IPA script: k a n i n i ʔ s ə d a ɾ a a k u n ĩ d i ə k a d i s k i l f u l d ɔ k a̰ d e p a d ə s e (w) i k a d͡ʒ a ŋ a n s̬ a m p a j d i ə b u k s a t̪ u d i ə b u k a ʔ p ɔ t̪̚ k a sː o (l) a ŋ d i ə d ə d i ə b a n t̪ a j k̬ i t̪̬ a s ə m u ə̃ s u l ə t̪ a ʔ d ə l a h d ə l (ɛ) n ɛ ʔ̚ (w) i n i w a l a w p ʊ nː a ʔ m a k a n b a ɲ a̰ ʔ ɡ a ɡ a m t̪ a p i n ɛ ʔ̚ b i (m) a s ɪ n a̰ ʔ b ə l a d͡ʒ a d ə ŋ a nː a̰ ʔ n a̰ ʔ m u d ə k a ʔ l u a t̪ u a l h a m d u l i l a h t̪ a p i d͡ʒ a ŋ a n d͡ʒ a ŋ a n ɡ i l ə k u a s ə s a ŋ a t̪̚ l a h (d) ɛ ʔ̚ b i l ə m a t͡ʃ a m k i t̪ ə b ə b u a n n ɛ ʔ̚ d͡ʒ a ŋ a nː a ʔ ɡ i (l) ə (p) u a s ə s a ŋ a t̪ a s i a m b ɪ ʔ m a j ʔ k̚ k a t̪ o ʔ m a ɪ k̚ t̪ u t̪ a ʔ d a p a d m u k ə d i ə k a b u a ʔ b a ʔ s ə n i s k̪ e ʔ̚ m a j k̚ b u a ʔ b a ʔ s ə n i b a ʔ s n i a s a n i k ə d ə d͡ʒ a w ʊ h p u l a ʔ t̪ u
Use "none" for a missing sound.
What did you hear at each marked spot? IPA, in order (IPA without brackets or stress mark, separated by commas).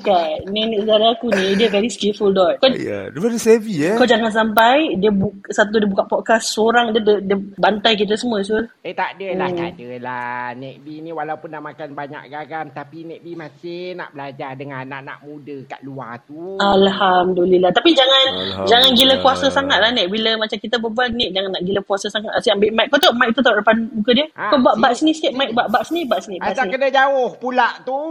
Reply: v, ɾ, a, b, m, n, l, k